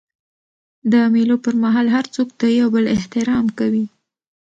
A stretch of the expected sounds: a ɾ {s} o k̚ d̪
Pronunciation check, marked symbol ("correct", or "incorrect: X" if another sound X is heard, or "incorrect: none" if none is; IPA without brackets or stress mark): incorrect: t͡s